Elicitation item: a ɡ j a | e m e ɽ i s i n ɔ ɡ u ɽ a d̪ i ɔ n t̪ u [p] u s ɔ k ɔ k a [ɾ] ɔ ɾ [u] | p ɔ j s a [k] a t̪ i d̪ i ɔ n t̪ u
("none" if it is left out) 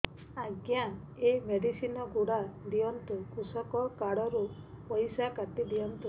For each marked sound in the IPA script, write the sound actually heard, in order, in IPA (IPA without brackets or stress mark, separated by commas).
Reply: k, ɽ, u, k